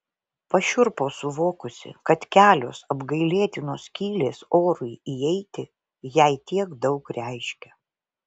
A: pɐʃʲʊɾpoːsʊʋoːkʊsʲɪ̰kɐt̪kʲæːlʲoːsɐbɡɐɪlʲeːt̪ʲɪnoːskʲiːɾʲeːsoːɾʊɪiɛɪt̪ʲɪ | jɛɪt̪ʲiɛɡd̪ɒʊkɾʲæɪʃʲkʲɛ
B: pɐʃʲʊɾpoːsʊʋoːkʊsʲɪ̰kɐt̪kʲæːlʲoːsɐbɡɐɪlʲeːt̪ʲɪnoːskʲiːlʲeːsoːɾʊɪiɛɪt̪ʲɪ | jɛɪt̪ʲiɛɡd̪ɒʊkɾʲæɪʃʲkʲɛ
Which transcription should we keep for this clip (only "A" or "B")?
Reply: B